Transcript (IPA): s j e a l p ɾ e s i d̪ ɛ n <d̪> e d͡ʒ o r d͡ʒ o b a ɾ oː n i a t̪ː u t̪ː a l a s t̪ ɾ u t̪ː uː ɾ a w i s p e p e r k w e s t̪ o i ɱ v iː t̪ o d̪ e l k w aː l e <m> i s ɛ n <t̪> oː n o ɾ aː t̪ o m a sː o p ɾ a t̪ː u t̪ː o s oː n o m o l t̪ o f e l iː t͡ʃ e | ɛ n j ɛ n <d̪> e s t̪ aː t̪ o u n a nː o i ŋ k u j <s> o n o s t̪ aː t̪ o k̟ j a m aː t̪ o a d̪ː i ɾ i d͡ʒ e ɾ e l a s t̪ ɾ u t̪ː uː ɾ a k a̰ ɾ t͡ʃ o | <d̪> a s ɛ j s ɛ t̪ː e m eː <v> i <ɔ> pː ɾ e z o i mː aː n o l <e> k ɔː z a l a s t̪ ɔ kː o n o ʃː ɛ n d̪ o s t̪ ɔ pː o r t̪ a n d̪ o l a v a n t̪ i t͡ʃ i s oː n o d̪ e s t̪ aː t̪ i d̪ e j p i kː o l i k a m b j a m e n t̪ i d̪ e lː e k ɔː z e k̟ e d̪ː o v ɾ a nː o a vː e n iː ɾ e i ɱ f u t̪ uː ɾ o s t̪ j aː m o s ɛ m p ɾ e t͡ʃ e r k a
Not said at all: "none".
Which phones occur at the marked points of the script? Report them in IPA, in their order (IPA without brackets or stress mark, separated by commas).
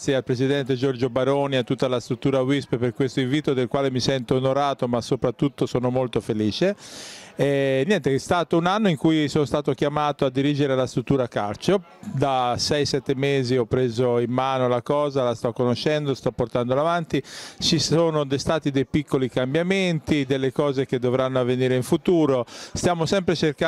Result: t̪, m, t̪, t̪, s, d̪, z, ɔ, a